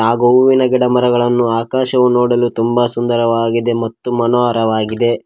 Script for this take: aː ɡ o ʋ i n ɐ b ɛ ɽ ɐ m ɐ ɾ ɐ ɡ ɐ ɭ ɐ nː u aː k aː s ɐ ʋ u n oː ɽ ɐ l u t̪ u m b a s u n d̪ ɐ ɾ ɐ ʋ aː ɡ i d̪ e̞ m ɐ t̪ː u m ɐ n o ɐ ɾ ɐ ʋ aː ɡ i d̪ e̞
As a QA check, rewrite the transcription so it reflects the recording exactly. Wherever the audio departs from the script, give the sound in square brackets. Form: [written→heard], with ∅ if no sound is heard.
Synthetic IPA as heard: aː ɡ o ʋ i n ɐ [b→ɡ] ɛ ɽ ɐ m ɐ ɾ ɐ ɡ ɐ ɭ ɐ nː u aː k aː [s→ʃ] ɐ ʋ u n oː ɽ ɐ l u t̪ u m b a s u n d̪ ɐ ɾ ɐ ʋ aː ɡ i d̪ e̞ m ɐ t̪ː u m ɐ n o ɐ ɾ ɐ ʋ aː ɡ i d̪ e̞